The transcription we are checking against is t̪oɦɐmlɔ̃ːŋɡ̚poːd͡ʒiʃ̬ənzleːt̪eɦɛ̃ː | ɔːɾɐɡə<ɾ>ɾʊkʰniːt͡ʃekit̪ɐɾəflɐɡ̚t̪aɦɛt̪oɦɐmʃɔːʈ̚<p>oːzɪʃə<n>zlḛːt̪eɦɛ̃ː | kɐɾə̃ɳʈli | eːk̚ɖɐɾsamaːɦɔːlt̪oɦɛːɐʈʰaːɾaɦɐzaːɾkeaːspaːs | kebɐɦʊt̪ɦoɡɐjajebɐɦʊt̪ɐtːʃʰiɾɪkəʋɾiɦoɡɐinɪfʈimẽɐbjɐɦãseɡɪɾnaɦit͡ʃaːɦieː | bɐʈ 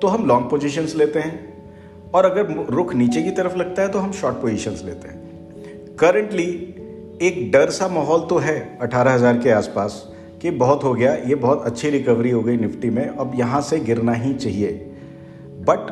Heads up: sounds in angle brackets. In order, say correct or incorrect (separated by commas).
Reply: correct, correct, correct